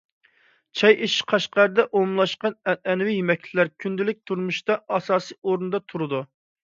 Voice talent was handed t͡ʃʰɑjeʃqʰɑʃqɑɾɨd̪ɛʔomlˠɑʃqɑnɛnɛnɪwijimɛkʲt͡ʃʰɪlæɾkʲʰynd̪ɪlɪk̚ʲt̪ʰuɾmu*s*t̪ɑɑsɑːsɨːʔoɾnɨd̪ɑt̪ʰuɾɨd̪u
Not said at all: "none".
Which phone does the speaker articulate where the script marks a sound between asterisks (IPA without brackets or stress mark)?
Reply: ʃ